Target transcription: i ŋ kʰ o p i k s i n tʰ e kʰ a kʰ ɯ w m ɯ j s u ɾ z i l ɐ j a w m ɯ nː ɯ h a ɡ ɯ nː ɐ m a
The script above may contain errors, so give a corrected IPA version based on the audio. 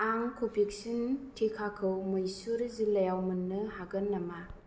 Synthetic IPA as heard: a ŋ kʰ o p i k s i n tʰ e kʰ a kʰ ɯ w m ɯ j s u ɾ z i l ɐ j a w m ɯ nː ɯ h a ɡ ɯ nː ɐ m a